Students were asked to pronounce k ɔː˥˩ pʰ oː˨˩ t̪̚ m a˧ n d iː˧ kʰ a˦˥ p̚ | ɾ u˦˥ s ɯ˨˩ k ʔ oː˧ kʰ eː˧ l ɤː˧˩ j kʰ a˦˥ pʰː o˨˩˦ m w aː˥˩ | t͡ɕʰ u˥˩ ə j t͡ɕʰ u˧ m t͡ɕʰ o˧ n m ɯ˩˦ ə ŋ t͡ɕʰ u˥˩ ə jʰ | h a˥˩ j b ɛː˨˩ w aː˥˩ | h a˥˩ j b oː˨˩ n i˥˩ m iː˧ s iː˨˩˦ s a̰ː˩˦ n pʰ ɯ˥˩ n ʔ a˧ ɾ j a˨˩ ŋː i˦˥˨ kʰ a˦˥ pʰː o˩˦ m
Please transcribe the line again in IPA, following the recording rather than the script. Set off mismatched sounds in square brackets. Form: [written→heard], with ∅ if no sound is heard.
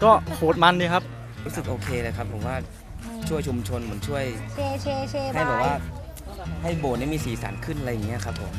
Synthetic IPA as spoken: k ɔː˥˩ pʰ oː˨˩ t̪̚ m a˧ n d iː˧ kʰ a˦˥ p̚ | ɾ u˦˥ s ɯ˨˩ k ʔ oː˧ kʰ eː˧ l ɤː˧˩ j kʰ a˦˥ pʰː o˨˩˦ m w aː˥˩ | t͡ɕʰ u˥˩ ə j t͡ɕʰ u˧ m t͡ɕʰ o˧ n m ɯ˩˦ ə [ŋ→n] t͡ɕʰ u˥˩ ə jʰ | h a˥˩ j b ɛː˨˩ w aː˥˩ | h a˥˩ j b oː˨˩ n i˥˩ m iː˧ s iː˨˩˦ s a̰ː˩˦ n [pʰ→kʰ] ɯ˥˩ n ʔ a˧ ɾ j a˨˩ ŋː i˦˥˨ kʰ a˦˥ pʰː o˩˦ m

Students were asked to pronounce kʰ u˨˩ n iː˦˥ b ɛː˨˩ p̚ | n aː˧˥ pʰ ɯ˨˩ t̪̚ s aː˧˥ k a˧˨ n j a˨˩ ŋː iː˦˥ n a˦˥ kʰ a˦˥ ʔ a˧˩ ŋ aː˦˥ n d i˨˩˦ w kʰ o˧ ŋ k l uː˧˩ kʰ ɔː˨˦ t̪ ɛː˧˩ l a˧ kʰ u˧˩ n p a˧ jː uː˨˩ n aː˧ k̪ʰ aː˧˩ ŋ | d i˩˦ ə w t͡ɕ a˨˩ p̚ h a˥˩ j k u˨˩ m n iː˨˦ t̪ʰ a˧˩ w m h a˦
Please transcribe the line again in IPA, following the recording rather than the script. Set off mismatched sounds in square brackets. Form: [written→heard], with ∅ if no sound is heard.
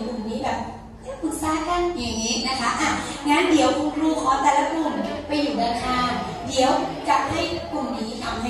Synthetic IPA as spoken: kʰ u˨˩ n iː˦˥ b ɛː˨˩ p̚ | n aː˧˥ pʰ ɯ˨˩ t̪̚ s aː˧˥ k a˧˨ n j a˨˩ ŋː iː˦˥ n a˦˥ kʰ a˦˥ ʔ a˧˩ ŋ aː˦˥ n d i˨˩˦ w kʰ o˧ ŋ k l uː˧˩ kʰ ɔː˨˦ t̪ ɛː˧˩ l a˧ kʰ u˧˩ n p a˧ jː uː˨˩ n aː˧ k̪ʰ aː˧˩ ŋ | d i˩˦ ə w t͡ɕ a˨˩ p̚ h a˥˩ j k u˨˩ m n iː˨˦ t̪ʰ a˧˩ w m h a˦

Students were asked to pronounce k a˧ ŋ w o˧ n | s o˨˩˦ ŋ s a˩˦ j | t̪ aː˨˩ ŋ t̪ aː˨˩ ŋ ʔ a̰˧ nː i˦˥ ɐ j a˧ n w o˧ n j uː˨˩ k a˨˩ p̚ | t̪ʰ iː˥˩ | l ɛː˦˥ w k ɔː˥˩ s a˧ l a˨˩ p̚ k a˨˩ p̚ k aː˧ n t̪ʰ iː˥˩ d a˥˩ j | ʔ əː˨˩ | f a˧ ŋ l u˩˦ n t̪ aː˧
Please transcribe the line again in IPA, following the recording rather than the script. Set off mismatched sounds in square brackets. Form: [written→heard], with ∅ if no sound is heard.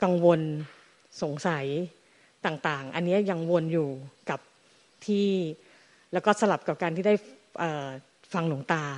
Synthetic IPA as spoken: k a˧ ŋ w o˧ n | s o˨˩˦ ŋ s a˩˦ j | t̪ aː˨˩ ŋ t̪ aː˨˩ ŋ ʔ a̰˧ nː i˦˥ ɐ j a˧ [n→ŋ] w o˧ n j uː˨˩ k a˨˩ p̚ | t̪ʰ iː˥˩ | l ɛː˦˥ w k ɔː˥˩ s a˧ l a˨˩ p̚ k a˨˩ p̚ k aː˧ n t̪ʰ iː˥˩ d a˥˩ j | ʔ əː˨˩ | f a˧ ŋ l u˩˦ [n→ŋ] t̪ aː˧

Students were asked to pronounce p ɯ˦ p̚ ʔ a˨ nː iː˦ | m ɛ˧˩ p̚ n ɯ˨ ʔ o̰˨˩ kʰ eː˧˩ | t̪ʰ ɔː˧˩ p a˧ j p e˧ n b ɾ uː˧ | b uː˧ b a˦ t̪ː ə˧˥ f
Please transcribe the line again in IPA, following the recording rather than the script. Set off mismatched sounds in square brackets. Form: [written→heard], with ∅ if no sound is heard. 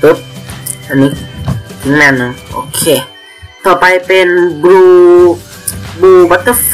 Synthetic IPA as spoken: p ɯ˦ p̚ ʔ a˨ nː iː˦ | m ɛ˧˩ [p̚→∅] n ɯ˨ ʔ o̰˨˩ kʰ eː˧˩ | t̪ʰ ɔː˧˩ p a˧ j p e˧ n b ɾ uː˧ | b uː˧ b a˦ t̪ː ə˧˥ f

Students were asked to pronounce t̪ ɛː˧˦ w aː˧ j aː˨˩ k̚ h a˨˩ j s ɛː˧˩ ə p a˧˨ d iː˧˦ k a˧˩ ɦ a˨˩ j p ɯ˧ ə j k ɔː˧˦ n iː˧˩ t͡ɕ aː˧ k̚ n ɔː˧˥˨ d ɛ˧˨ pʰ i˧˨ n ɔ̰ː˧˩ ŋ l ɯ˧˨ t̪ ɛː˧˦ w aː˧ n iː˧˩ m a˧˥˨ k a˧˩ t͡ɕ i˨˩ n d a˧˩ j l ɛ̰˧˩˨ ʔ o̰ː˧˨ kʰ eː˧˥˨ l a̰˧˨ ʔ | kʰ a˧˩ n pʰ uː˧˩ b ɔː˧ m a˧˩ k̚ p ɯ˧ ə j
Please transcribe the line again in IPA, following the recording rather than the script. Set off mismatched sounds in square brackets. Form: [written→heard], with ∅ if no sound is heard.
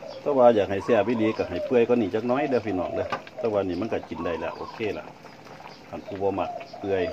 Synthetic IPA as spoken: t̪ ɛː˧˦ w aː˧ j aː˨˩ k̚ h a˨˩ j s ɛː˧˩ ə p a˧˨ d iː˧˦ k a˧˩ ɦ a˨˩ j p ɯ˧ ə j k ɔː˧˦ n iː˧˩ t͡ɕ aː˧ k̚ n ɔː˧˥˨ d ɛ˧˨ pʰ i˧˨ n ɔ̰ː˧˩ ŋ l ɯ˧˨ t̪ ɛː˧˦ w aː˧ n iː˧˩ m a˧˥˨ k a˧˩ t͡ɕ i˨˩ n d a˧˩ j l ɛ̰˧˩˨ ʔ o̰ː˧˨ kʰ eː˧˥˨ l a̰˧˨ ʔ | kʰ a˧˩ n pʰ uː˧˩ b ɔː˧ m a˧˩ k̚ p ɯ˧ ə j

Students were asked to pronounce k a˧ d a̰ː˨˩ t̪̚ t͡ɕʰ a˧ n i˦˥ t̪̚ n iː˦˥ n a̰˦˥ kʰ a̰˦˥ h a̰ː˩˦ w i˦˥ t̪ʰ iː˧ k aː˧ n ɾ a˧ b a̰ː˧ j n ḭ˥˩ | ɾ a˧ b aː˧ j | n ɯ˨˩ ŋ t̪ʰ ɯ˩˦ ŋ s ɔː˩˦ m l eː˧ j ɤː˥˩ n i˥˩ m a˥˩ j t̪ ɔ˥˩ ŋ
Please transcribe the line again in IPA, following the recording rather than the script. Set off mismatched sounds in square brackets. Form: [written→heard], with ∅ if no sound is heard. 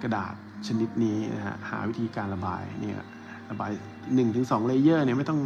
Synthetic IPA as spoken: k a˧ d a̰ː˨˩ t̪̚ t͡ɕʰ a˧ n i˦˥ t̪̚ n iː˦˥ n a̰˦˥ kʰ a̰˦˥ h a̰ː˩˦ w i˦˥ t̪ʰ iː˧ k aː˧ n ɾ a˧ b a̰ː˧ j n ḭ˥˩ | ɾ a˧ b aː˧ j | n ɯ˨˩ ŋ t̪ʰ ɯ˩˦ ŋ s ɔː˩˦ [m→ŋ] l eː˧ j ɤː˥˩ n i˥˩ m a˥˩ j t̪ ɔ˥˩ ŋ

